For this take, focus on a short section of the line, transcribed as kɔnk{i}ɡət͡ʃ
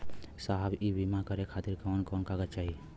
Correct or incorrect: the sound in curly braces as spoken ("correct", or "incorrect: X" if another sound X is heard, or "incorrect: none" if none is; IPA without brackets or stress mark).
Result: incorrect: a